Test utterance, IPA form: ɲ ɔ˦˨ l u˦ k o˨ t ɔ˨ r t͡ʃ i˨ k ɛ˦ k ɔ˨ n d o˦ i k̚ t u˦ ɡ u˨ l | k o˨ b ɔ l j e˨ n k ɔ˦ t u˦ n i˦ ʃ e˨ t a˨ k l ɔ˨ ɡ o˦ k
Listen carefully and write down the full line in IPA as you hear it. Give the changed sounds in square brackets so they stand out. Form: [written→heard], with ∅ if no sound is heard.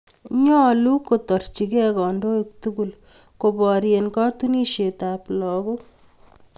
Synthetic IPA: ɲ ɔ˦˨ l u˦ k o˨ t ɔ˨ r t͡ʃ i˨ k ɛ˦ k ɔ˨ n d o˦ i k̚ t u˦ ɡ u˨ l | k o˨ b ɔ [l→ɾ] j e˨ n k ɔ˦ t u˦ n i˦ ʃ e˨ t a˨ [k→p] l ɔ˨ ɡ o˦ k